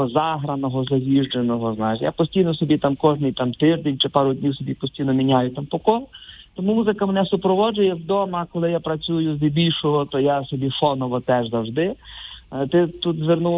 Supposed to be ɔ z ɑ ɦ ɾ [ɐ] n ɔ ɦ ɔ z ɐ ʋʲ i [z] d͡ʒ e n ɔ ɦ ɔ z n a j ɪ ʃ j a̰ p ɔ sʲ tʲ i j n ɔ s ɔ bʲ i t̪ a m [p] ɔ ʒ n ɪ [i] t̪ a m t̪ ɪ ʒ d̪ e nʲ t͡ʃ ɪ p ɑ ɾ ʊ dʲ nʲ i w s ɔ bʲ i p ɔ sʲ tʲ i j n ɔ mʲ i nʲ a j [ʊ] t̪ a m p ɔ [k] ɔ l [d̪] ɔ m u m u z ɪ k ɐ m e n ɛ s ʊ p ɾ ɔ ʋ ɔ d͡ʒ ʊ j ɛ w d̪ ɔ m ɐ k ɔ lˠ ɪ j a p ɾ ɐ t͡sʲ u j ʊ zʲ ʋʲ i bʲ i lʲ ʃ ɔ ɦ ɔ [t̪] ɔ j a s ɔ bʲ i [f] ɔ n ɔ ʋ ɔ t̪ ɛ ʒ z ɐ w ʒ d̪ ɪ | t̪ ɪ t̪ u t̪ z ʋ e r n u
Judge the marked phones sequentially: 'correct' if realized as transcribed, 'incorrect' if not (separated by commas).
correct, incorrect, incorrect, incorrect, correct, correct, incorrect, correct, correct